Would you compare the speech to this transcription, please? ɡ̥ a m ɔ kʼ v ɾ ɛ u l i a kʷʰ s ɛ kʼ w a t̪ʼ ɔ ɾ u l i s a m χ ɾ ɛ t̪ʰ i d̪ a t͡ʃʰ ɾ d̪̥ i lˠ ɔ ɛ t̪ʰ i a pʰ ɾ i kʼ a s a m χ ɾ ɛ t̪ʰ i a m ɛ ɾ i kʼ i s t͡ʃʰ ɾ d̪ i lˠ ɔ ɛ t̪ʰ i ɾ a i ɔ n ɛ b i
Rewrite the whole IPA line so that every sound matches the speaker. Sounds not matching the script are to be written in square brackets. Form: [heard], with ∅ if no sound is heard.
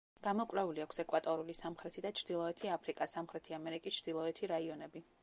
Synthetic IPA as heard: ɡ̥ a m ɔ kʼ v ɾ ɛ u l i a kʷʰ s ɛ kʼ w a t̪ʼ ɔ ɾ u l i s a m χ ɾ ɛ t̪ʰ i d̪ a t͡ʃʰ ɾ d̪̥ i lˠ ɔ ɛ t̪ʰ i a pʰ ɾ i kʼ a s a m χ ɾ ɛ t̪ʰ i a m ɛ ɾ i kʼ i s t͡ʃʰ ɾ d̪ i lˠ ɔ ɛ t̪ʰ i ɾ a i ɔ n ɛ b i